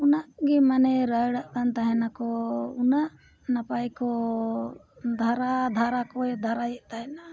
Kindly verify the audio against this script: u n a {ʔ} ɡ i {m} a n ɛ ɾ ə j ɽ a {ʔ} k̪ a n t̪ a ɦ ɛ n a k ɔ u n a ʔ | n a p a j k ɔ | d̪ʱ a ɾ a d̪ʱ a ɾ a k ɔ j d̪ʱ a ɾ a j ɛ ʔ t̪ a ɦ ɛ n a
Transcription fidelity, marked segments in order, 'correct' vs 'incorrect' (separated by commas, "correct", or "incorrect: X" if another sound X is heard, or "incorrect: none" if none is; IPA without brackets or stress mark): correct, correct, correct